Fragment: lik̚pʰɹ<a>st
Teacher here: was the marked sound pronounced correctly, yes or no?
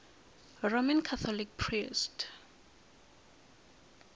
no